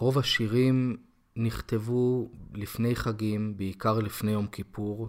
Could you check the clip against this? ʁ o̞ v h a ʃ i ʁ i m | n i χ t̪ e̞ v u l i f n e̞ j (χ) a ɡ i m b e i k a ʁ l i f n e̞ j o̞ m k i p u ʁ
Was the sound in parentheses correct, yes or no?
yes